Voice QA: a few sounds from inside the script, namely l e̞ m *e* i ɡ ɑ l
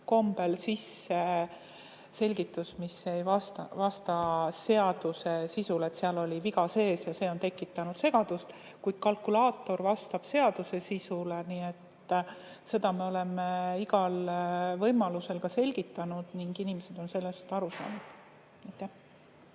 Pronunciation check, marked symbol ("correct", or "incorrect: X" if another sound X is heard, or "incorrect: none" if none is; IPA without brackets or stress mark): correct